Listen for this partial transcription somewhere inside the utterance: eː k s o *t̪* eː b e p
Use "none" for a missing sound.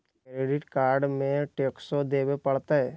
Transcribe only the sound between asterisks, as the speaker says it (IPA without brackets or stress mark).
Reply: d̪